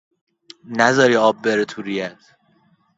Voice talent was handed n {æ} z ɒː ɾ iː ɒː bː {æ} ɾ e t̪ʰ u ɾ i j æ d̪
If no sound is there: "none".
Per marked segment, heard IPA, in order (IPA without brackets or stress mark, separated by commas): æ, e